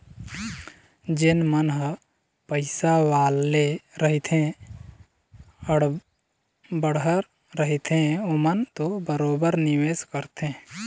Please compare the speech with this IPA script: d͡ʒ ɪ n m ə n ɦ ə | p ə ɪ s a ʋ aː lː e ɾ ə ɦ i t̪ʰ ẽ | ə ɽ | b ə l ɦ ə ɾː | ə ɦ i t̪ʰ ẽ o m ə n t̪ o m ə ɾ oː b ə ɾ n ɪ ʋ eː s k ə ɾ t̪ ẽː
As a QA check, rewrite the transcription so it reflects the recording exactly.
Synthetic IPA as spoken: d͡ʒ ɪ n m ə n ɦ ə | p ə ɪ s a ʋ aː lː e ɾ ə ɦ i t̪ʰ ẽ | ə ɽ | b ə ɽ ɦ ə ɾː | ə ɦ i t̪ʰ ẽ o m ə n t̪ o b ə ɾ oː b ə ɾ n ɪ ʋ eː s k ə ɾ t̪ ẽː